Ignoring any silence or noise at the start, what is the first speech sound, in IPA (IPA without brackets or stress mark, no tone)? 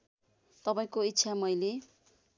t̪